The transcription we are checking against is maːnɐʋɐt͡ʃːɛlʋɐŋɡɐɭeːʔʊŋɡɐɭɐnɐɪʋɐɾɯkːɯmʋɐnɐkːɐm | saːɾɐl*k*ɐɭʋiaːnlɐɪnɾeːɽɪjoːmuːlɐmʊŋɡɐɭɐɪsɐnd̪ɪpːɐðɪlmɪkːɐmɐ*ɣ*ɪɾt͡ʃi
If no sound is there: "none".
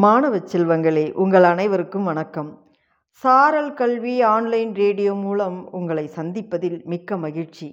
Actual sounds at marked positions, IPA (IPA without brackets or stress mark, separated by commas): k, ɣ